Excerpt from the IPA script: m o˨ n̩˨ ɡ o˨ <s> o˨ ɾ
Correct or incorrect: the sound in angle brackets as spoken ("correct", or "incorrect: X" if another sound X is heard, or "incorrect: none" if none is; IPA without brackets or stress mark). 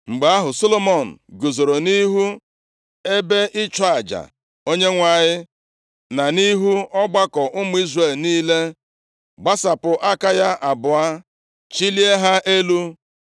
incorrect: z